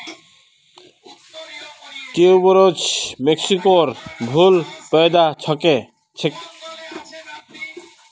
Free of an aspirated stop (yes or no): no